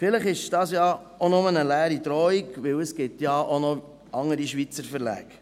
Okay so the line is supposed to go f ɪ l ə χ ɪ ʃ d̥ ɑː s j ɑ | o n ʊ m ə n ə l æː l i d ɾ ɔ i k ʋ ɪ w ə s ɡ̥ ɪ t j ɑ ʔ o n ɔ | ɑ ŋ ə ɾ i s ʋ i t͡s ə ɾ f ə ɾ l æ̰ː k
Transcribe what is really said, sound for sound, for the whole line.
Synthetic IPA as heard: f ɪ l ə χ ɪ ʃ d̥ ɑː s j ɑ | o n ʊ m ə n ə l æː ɾ i d ɾ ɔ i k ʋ ɪ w ə s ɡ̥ ɪ t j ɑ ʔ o n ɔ | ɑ ŋ ə ɾ i ʃ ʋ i t͡s ə ɾ f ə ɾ l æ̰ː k